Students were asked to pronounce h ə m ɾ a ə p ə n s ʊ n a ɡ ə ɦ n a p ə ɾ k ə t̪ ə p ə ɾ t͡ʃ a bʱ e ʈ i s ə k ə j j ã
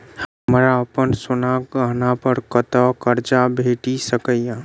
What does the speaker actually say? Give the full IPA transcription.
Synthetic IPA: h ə m ɾ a ə p ə n s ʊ n a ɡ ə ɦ n a p ə ɾ k ə t̪ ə k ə ɾ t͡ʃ a bʱ e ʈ i s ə k ə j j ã